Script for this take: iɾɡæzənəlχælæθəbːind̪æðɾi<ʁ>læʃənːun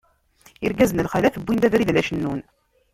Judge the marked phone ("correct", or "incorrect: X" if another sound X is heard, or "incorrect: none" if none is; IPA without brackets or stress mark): incorrect: ð